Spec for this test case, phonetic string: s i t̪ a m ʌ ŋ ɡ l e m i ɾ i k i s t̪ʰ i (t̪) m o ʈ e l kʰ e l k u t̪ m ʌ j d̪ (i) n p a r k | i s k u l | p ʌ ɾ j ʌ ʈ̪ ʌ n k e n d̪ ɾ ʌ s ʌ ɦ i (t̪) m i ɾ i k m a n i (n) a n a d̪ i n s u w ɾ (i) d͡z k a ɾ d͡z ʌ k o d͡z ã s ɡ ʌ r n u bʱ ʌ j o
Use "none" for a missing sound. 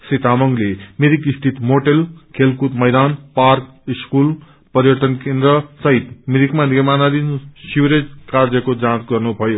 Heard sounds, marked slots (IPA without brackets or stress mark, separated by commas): t̪, a, t̪, m, e